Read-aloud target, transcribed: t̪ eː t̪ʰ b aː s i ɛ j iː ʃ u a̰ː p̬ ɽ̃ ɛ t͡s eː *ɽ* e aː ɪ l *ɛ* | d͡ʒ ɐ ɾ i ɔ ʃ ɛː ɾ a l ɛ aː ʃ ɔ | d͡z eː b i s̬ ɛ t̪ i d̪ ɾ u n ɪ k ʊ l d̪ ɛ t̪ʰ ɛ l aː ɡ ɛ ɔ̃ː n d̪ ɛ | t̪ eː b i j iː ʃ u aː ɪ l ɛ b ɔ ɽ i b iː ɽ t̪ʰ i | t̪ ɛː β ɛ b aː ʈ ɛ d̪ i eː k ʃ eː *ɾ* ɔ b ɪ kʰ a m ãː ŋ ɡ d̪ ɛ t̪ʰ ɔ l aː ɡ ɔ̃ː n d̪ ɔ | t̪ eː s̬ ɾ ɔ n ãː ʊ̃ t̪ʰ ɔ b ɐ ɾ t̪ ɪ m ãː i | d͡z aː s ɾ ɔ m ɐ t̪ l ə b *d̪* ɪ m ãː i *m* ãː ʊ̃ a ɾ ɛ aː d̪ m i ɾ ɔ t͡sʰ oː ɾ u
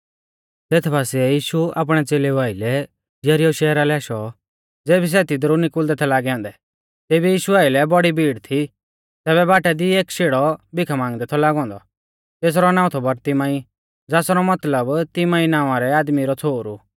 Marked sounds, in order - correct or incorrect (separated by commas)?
incorrect, correct, incorrect, incorrect, incorrect